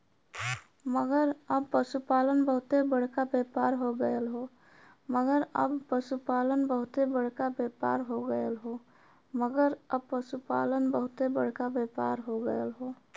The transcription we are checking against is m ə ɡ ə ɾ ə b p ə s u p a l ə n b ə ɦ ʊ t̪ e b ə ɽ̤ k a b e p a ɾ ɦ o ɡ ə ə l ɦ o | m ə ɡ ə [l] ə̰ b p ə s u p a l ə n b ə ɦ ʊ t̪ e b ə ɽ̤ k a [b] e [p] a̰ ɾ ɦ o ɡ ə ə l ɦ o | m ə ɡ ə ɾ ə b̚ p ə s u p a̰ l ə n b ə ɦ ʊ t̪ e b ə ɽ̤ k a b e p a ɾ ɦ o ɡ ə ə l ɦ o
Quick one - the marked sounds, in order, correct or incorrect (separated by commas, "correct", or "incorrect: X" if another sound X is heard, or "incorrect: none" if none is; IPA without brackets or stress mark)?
incorrect: ɾ, correct, correct